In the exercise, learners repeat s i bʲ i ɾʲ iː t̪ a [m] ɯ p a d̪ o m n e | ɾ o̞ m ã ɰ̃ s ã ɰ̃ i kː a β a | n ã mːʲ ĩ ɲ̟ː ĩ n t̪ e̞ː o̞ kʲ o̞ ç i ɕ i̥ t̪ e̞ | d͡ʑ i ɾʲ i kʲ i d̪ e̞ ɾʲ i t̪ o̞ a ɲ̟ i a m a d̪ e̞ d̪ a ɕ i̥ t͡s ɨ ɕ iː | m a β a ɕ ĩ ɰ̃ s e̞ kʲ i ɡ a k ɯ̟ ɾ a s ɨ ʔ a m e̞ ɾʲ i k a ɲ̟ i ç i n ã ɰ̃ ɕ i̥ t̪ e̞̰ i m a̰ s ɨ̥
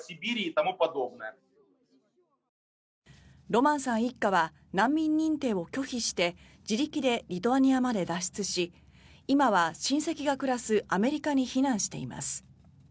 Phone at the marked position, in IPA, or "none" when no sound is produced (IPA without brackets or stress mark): m